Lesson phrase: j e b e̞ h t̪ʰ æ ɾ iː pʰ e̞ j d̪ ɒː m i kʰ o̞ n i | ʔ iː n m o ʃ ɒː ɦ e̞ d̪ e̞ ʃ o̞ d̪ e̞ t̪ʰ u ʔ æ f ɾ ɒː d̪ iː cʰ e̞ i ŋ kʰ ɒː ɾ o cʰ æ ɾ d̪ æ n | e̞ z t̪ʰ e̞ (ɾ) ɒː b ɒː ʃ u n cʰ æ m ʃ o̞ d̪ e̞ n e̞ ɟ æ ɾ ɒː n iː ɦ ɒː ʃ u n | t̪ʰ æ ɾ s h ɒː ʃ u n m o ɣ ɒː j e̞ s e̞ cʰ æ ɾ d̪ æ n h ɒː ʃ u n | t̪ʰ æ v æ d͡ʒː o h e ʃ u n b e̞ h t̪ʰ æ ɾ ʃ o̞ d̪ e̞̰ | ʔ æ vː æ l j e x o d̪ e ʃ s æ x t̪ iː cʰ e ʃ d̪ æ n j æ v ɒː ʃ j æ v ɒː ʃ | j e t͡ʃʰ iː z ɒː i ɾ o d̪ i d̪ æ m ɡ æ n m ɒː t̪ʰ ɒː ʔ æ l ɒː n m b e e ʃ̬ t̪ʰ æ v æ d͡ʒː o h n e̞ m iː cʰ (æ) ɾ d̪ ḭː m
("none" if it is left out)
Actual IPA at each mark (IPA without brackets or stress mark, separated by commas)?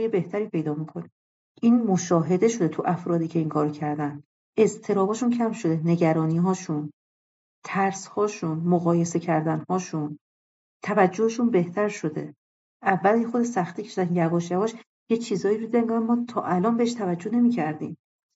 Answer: ɾ, æ